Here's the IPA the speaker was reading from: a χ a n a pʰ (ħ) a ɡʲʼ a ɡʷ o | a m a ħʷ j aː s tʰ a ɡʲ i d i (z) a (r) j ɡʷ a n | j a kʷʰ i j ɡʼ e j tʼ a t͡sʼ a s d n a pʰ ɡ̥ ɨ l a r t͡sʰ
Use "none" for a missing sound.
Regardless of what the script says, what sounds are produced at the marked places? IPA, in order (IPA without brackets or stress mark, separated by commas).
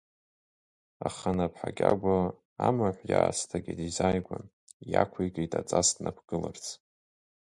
ħ, z, none